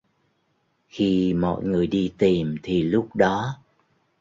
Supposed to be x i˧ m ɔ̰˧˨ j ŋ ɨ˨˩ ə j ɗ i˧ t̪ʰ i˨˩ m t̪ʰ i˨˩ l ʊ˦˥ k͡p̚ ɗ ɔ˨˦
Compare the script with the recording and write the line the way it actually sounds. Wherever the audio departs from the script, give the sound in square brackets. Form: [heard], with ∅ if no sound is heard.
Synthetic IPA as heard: x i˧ m ɔ̰˧˨ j ŋ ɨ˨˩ ə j ɗ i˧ [t̪] i˨˩ m t̪ʰ i˨˩ l ʊ˦˥ k͡p̚ ɗ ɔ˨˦

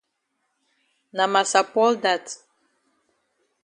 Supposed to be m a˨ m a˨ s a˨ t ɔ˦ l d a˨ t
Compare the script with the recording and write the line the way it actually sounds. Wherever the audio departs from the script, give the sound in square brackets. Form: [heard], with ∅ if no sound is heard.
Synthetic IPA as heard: [n] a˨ m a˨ s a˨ [p] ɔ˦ l d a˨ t

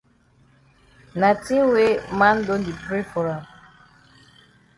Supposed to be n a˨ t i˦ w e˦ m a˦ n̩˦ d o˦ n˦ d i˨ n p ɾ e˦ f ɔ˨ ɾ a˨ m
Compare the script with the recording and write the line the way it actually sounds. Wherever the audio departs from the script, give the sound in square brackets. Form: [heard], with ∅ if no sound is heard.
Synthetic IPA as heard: n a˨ t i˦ w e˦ m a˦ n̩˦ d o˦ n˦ d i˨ [∅] p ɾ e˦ f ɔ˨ ɾ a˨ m

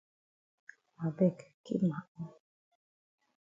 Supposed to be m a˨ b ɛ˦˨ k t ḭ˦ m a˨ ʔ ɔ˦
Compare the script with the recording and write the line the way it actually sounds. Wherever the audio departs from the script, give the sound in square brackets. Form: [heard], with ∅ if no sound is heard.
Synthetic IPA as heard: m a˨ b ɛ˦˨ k [k] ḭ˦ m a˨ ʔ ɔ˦

